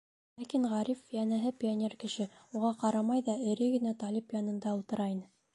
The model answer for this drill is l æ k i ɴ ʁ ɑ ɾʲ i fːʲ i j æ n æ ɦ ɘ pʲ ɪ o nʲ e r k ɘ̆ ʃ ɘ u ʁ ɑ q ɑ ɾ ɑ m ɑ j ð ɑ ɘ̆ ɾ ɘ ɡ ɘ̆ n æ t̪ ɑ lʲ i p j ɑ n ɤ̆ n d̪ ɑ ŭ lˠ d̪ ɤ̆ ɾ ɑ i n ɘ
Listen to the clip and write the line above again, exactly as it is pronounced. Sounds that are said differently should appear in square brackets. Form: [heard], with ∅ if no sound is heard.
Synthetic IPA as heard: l æ k i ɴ ʁ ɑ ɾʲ i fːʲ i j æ n æ ɦ ɘ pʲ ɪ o nʲ e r k ɘ̆ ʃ ɘ u ʁ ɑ q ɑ ɾ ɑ m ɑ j ð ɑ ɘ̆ ɾ ɘ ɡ ɘ̆ n æ t̪ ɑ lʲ i p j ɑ n ɤ̆ n d̪ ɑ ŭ lˠ [t̪] ɤ̆ ɾ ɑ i n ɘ